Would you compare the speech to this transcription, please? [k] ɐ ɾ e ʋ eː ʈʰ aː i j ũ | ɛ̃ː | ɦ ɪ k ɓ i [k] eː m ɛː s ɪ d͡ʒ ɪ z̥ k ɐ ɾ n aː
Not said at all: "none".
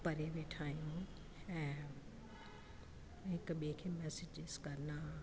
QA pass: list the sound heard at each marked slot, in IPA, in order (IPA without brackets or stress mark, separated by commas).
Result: p, kʰ